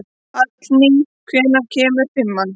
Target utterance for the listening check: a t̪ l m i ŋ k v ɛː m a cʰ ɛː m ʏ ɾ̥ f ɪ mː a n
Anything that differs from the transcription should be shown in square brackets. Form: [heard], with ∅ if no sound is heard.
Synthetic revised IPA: a t̪ l [n] i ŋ [kʰ] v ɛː [n] a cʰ ɛː m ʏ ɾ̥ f ɪ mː a n